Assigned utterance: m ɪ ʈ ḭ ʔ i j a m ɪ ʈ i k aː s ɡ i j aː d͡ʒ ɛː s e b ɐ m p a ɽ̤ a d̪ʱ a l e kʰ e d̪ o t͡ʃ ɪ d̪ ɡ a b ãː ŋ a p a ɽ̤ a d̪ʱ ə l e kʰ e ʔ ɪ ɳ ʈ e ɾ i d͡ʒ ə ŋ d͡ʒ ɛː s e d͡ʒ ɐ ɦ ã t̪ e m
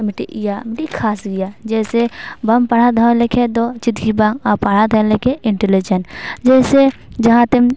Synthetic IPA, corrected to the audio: m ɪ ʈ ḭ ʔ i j a m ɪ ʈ i kʰ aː s ɡ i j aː d͡ʒ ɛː s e b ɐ m p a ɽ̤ a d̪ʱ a l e kʰ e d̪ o t͡ʃ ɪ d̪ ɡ i b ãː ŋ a p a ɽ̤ a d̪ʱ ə l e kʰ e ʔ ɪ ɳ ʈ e l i d͡ʒ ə n d͡ʒ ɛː s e d͡ʒ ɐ ɦ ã t̪ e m